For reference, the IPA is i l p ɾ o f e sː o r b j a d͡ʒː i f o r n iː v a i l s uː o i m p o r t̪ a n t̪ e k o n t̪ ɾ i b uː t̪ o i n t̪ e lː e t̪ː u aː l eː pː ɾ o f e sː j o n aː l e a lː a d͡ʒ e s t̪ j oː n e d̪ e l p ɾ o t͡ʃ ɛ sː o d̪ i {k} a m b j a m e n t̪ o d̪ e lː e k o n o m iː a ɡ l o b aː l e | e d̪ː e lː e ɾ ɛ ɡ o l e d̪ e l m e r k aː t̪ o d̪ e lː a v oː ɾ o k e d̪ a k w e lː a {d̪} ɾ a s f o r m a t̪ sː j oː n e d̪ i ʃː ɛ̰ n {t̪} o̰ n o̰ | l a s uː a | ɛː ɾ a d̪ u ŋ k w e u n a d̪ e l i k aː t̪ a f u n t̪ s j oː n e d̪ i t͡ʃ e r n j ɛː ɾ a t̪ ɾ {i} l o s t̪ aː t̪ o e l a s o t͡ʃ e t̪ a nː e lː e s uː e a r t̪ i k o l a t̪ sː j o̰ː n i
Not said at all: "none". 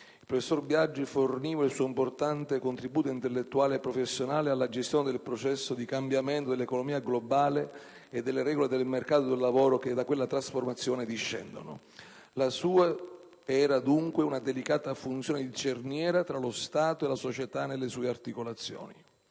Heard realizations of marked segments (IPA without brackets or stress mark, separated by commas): k, t̪, d̪, a